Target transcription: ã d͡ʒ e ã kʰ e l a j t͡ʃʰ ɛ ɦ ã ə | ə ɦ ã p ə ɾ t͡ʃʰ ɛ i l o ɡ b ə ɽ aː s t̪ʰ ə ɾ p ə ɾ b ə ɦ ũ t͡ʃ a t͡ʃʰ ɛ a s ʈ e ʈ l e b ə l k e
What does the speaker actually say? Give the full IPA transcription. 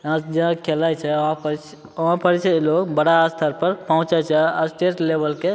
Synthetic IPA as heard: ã d͡ʒ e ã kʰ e l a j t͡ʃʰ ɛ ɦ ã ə | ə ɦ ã p ə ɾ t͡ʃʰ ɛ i l o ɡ b ə ɽ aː s t̪ʰ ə ɾ p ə ɾ p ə ɦ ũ t͡ʃ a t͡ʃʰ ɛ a s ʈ e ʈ l e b ə l k e